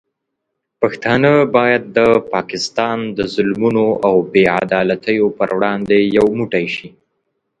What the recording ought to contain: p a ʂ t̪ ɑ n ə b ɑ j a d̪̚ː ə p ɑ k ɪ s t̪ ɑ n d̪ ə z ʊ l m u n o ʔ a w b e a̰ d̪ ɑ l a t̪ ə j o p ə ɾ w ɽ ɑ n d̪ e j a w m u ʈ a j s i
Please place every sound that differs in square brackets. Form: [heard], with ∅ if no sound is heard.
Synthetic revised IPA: p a [x] t̪ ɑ n ə b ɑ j a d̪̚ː ə p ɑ k ɪ s t̪ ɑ n d̪ ə z ʊ l m u n o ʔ a w b e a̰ d̪ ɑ l a t̪ ə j o p ə ɾ w ɽ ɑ n d̪ e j a w m u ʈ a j [ʃ] i

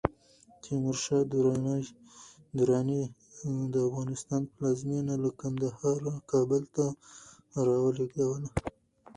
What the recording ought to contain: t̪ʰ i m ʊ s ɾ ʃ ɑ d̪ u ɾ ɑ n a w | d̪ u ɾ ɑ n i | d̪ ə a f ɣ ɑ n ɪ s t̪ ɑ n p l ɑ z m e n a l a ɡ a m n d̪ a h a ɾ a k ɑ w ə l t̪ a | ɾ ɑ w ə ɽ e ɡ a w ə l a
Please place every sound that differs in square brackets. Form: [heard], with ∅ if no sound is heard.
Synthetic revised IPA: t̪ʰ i m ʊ [∅] ɾ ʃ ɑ d̪ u ɾ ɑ n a [∅] | d̪ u ɾ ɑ n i | d̪ ə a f ɣ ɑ n ɪ s t̪ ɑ n p l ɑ z m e n a l a [k] a [∅] n d̪ a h [ɑ] ɾ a k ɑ [b] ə l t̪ a | ɾ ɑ w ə [l] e ɡ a w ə l a

